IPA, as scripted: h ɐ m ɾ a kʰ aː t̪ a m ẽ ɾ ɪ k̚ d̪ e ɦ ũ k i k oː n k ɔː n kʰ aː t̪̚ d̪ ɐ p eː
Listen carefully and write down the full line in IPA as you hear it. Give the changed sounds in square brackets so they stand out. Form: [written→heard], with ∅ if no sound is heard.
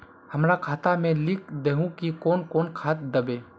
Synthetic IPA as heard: h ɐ m ɾ a kʰ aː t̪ a m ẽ [ɾ→l] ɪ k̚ d̪ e ɦ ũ k i k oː n k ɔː n kʰ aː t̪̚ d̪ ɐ [p→b] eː